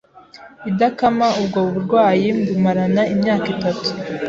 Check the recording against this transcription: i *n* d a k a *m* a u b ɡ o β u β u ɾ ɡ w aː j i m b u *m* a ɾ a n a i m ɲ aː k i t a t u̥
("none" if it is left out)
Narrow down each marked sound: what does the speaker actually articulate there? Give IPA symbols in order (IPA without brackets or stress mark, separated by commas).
none, m, m